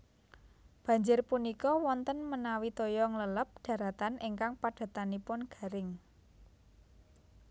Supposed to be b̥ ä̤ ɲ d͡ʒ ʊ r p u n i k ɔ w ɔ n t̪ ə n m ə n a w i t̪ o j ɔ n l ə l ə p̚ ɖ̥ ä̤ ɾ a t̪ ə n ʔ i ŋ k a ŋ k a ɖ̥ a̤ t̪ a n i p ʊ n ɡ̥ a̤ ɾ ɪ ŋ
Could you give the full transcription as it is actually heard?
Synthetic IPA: b̥ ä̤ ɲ d͡ʒ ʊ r p u n i k ɔ w ɔ n t̪ ə n m ə n a w i t̪ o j ɔ ŋ l ə l ə p̚ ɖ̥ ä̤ ɾ a t̪ a n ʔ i ŋ k a ŋ p a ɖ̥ a̤ t̪ a n i p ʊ n ɡ̥ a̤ ɾ ɪ ŋ

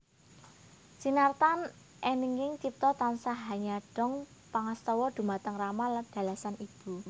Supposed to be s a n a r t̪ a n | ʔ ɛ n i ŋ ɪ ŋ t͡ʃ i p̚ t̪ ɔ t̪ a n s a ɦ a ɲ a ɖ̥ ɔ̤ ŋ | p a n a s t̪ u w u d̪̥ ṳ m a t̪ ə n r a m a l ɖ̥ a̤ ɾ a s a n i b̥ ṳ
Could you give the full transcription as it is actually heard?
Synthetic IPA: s i n a r t̪ a n | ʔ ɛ n i ŋ ɪ ŋ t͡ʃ i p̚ t̪ ɔ t̪ a n s a ɦ a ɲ a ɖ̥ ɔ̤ ŋ | p a ŋ a s t̪ ɔ w ɔ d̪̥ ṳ m a t̪ ə ŋ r a m a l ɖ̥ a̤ l a s a n i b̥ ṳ

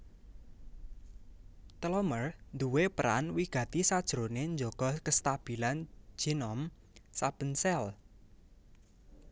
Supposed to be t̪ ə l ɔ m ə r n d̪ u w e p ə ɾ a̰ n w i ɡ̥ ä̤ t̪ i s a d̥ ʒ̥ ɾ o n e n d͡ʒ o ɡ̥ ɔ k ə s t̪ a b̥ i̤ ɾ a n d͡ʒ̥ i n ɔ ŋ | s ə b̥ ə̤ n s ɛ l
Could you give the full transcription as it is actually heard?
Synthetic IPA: t̪ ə l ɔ m ə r n d̪ u w e p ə ɾ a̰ n w i ɡ̥ ä̤ t̪ i s a d̥ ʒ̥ ɾ o n e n d͡ʒ o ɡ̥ ɔ k ə s t̪ a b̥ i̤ l a n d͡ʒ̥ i n ɔ m | s a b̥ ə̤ n s ɛ l

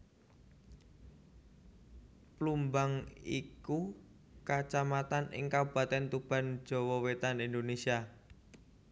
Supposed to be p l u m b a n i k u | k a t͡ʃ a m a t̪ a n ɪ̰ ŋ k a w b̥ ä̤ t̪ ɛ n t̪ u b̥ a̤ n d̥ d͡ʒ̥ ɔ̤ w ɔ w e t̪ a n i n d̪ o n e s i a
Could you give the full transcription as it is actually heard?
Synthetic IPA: p l u m b a ŋ i k u | k a t͡ʃ a m a t̪ a n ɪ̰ ŋ k a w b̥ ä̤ t̪ ɛ n t̪ u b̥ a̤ n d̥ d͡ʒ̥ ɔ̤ w ɔ w e t̪ a n i n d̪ o n e s i a

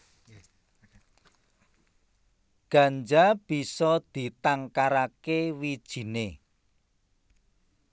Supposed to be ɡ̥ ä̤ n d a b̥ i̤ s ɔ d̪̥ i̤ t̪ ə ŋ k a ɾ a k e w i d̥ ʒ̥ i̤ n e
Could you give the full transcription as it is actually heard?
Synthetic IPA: ɡ̥ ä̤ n d͡ʒ a b̥ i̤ s ɔ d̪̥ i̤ t̪ a ŋ k a ɾ a k e w i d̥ ʒ̥ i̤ n e

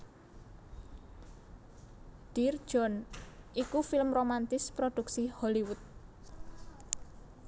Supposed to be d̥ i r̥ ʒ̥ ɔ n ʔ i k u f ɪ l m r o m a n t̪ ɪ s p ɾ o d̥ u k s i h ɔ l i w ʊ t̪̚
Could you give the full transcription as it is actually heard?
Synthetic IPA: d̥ i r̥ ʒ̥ ɔ n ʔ i k u f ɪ l m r o m a n t̪ ɪ s p ɾ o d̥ u k s i h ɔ l i w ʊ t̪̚

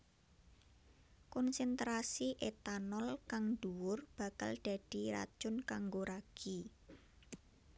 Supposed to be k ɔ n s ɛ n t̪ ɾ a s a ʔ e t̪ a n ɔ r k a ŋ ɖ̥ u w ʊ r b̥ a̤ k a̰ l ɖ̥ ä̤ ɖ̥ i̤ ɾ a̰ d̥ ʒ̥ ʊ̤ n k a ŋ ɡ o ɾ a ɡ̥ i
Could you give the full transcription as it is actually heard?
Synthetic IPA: k ɔ n s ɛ n t̪ ɾ a s i ʔ e t̪ a n ɔ l k a ŋ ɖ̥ u w ʊ r b̥ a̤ k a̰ l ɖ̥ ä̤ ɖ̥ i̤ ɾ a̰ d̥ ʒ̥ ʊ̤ n k a ŋ ɡ o ɾ a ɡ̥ i

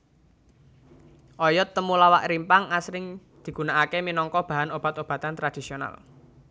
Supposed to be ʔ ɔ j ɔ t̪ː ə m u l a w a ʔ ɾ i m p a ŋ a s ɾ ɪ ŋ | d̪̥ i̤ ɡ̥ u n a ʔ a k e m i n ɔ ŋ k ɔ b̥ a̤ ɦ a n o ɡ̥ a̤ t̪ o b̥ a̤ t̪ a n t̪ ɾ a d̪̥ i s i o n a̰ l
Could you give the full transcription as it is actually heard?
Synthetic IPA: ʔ ɔ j ɔ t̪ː ə m u l a w a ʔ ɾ i m p a ŋ a s ɾ ɪ ŋ | d̪̥ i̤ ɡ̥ u n a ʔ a k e m i n ɔ ŋ k ɔ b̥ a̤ ɦ a n o b̥ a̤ t̪ o b̥ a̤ t̪ a n t̪ ɾ a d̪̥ i s i o n a̰ l

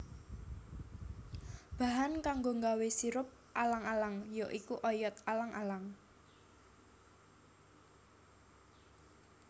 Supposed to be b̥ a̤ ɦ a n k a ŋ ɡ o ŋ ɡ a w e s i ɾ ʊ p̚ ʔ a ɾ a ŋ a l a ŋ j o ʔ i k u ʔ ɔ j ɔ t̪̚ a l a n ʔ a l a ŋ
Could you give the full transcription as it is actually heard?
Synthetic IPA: b̥ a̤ ɦ a n k a ŋ ɡ o ŋ ɡ a w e s i ɾ ʊ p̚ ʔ a l a ŋ a l a ŋ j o ʔ i k u ʔ ɔ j ɔ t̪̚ a l a ŋ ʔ a l a ŋ

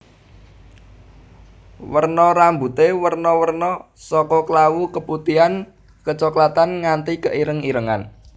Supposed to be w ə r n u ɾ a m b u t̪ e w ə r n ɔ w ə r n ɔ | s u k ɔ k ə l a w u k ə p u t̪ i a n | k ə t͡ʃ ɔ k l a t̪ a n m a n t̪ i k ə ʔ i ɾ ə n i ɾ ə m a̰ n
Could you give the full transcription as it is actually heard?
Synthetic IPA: w ə r n ɔ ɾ a m b u t̪ e w ə r n ɔ w ə r n ɔ | s ɔ k ɔ k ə l a w u k ə p u t̪ i a n | k ə t͡ʃ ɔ k l a t̪ a n ŋ a n t̪ i k ə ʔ i ɾ ə ŋ i ɾ ə ŋ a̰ n

